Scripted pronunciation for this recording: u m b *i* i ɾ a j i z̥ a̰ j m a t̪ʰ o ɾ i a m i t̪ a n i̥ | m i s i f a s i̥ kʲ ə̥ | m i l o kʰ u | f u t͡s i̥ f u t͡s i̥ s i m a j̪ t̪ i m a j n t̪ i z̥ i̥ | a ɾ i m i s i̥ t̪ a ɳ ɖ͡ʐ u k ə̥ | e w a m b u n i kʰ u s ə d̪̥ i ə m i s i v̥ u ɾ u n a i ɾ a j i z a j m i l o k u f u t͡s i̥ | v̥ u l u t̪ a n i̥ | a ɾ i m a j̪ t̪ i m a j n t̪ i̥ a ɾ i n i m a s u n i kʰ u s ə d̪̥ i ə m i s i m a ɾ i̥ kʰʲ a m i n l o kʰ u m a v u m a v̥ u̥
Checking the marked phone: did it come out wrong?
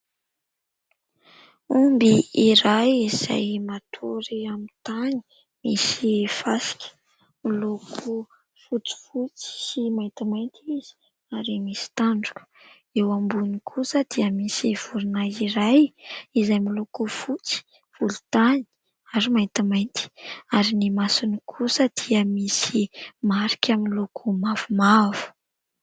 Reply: no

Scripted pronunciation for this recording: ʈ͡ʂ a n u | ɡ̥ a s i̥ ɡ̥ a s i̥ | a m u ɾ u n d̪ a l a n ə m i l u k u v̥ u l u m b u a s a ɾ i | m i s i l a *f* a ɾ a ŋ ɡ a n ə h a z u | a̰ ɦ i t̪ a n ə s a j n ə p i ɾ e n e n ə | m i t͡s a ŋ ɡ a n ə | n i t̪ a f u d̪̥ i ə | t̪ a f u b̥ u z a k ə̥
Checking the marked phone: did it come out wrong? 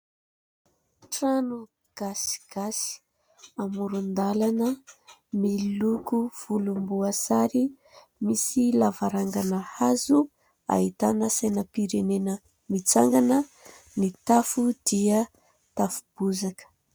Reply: yes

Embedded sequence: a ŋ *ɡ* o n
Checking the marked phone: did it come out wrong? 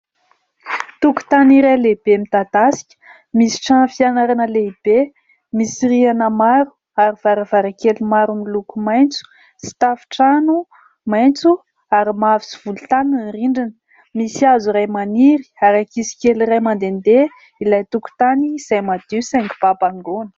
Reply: no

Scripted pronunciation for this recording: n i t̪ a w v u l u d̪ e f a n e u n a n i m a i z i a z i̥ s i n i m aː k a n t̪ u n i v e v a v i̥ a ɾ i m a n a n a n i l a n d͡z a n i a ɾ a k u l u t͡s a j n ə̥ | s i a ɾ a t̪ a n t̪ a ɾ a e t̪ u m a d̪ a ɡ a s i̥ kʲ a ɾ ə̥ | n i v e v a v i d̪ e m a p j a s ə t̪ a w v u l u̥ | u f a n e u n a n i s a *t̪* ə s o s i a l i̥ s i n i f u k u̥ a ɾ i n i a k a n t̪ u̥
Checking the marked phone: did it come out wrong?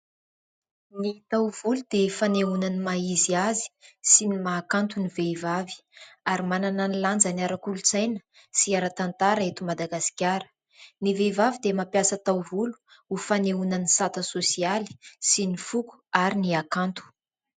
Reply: no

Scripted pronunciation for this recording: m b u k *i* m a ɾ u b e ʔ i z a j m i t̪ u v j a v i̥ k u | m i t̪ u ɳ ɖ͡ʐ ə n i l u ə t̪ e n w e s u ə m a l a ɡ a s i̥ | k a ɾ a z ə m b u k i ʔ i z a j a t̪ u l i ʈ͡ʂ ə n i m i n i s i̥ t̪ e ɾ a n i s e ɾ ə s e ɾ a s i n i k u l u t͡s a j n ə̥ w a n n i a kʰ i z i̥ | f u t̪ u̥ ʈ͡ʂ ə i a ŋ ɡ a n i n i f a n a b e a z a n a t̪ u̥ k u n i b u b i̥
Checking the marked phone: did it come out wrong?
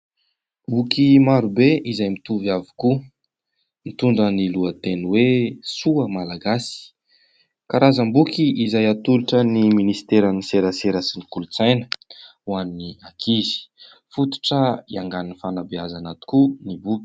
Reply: no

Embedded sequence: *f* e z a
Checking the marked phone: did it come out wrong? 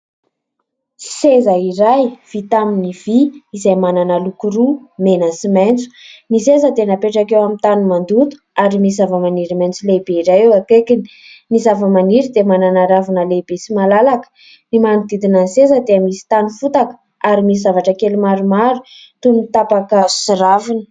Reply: yes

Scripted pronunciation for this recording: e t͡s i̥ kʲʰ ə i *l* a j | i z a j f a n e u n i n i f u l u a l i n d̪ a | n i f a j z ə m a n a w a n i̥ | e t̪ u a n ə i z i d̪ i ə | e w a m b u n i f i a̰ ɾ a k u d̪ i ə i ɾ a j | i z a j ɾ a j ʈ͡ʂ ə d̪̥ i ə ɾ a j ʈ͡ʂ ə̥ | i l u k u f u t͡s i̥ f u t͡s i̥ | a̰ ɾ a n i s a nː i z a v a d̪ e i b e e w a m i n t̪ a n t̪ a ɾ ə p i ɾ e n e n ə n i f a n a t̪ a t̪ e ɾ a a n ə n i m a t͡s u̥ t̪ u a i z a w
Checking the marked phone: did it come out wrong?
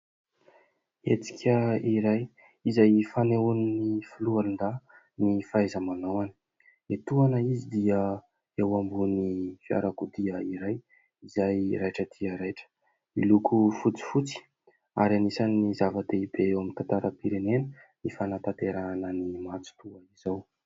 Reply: yes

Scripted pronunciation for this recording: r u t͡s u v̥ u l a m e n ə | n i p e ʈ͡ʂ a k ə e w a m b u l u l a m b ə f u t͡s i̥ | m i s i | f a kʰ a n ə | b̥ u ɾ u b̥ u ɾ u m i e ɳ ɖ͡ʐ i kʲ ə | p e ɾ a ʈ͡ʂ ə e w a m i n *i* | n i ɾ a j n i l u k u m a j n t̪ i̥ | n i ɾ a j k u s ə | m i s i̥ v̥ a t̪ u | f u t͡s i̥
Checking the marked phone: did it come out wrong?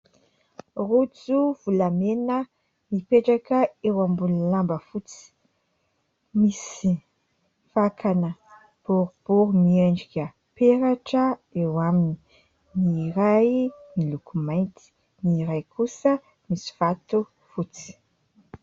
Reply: no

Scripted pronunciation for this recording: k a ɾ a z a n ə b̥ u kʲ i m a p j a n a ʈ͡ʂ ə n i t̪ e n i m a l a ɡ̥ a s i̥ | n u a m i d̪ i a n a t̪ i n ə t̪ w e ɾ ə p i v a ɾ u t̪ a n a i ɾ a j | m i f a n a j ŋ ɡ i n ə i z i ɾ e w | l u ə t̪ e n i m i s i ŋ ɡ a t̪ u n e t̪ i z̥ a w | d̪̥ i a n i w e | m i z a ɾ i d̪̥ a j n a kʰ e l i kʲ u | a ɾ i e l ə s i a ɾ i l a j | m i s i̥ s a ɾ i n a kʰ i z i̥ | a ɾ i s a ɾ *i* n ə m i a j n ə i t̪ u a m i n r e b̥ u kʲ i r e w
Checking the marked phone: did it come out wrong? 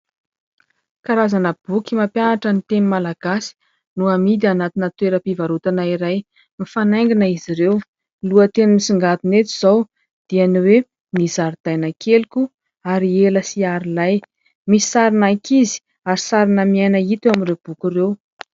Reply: no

